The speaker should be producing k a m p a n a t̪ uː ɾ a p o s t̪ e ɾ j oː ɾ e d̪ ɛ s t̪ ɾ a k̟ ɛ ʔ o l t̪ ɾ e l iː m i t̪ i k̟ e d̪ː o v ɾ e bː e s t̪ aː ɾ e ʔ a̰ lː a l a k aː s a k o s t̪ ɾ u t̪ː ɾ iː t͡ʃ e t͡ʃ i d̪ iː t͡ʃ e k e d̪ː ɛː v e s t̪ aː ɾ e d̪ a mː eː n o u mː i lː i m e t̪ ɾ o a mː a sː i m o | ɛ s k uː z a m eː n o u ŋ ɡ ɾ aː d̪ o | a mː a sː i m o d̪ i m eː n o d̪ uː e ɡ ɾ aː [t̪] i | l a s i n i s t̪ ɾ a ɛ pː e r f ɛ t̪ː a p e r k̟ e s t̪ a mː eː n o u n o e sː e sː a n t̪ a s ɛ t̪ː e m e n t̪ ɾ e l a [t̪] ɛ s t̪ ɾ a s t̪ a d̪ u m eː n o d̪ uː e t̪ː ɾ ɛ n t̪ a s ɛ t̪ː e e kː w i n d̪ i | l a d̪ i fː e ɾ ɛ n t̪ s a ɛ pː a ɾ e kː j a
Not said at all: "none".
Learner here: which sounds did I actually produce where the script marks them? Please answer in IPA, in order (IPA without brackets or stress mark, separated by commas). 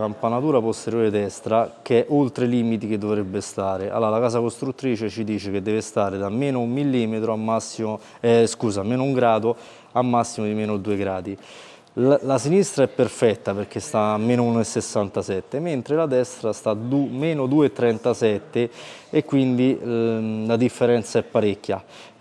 d̪, d̪